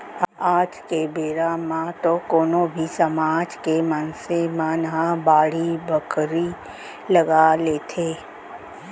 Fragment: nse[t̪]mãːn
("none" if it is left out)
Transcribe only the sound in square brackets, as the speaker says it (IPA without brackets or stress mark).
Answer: none